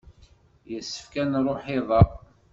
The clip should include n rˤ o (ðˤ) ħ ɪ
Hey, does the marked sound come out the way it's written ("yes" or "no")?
no